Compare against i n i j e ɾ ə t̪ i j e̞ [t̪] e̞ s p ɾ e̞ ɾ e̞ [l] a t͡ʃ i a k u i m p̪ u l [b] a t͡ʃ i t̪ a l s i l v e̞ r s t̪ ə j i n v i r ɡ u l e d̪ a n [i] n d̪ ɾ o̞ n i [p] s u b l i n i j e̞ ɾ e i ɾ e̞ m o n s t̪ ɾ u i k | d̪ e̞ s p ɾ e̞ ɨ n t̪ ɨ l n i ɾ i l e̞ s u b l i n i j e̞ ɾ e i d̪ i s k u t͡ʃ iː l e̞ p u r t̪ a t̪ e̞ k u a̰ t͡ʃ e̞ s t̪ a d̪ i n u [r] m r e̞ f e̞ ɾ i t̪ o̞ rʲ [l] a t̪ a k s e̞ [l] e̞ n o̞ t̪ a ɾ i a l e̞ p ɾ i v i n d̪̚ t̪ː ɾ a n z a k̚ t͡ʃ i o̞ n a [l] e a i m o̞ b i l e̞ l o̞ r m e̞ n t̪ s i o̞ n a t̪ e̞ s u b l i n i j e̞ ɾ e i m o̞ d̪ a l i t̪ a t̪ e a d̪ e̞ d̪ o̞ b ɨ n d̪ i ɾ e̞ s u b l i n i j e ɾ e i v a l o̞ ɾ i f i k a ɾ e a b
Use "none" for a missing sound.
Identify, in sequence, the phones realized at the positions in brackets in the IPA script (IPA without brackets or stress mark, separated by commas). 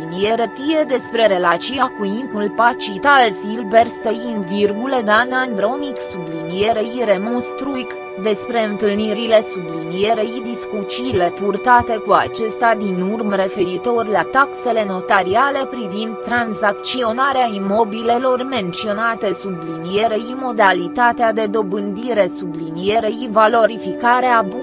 d̪, l, p, a, k, r, l, l, ɾ